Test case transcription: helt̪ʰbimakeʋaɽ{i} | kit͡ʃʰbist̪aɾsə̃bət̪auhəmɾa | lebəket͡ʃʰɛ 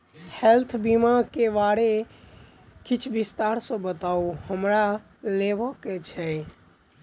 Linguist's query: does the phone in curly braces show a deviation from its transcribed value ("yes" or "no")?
yes